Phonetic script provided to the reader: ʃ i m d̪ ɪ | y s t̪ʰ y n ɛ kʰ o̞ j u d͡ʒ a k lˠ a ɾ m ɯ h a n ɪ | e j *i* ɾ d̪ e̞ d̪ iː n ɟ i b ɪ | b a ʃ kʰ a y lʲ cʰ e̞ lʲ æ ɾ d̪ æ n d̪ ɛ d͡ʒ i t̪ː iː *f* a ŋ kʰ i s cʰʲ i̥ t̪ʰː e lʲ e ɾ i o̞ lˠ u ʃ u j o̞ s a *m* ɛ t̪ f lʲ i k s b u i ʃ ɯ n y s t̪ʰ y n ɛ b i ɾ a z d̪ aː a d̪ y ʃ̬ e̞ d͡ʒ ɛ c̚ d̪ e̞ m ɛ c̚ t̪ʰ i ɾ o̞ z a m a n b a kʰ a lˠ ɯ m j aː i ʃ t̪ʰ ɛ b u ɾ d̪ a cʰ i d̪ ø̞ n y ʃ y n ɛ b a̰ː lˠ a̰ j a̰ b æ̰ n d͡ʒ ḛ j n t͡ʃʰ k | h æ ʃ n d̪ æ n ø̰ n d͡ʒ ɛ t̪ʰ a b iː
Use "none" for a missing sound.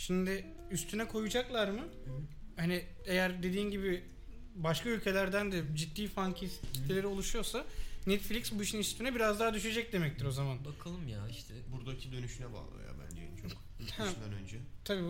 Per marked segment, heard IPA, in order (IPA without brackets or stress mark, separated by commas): æ, f, n